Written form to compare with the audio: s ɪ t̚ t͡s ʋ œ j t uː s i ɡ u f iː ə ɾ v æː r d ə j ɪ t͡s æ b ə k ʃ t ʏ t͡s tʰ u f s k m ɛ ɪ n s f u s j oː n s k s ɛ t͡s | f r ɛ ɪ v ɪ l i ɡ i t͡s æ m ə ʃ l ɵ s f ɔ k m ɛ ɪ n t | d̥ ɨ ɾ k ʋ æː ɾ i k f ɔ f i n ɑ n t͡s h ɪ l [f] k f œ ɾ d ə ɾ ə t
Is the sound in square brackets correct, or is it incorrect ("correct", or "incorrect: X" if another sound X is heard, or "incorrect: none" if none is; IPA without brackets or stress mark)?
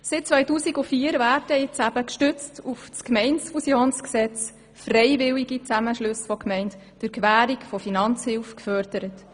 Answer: correct